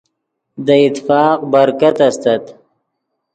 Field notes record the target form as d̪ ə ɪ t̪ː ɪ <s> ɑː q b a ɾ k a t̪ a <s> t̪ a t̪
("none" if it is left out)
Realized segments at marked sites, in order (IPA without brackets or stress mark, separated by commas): f, s